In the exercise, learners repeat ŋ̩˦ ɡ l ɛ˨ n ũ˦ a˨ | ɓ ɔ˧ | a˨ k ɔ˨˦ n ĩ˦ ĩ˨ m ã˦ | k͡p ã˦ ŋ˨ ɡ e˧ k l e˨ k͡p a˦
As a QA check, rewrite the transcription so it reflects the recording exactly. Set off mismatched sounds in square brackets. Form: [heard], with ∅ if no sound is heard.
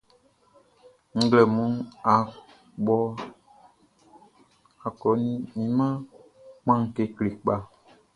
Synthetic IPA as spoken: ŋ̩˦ ɡ l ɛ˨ [m] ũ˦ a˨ | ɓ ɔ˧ | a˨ k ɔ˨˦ n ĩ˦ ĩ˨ m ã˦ | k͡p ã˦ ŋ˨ [k] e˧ k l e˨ k͡p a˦

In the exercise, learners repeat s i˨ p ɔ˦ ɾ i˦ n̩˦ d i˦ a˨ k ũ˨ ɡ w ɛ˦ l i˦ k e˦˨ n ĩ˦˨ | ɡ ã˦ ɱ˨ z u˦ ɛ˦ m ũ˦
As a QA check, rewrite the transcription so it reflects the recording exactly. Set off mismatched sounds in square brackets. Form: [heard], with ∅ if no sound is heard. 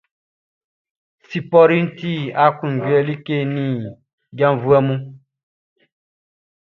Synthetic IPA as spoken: s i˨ p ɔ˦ ɾ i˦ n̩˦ [t] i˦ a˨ k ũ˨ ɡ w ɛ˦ l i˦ k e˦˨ n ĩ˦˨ | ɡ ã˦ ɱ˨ [v] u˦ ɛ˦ m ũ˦

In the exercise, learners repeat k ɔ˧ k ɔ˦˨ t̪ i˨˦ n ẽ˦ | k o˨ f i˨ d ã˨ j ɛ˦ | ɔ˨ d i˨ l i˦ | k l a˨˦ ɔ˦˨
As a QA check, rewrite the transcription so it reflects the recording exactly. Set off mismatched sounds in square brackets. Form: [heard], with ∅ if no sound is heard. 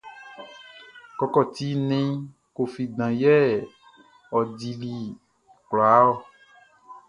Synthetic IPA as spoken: k ɔ˧ k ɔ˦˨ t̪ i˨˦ n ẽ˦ | k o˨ f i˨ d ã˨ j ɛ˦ | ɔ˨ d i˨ l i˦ | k l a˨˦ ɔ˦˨

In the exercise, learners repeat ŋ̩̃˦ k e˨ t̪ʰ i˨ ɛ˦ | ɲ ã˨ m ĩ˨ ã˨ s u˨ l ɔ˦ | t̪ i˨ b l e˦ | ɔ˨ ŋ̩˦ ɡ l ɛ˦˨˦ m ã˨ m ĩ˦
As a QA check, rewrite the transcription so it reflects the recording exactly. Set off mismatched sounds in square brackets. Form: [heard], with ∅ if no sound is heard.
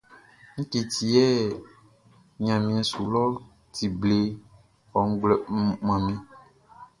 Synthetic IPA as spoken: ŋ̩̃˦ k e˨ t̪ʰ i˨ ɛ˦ | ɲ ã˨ m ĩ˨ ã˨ s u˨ l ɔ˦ | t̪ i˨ b l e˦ | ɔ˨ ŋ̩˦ [ɡ͡b] l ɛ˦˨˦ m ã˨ m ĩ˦

